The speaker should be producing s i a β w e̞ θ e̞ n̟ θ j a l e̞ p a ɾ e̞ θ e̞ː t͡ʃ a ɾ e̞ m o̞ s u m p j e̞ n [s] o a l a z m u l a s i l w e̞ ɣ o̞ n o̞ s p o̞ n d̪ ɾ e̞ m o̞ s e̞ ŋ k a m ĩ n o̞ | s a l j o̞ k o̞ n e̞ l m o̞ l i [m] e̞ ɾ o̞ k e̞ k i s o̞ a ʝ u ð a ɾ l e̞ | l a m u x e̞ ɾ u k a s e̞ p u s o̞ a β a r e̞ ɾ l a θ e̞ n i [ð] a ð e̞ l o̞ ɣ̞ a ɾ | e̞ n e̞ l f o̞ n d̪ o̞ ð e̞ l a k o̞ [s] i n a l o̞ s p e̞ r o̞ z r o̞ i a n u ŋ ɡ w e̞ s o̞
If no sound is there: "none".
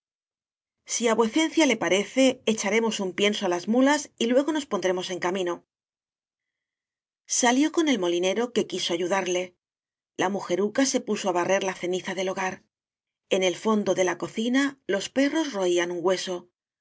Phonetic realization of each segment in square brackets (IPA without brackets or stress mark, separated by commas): s, n, θ, θ